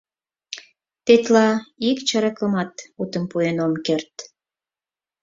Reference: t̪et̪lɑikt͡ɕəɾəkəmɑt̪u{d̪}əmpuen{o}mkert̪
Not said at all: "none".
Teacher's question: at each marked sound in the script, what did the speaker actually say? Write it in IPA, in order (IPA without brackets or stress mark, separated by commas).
t̪, o